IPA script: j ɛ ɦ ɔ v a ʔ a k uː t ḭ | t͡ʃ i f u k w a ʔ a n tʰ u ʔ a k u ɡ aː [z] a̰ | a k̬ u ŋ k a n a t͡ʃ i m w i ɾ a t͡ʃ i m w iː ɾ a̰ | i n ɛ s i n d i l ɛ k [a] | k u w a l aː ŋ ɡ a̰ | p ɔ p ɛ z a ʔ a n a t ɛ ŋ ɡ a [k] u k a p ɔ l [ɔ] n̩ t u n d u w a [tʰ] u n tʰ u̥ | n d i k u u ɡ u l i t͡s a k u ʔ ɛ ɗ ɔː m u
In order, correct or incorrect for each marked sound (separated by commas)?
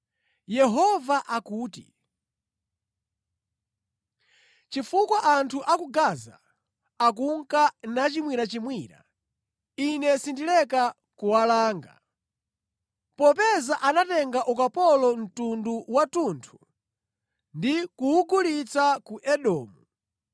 correct, correct, incorrect, correct, incorrect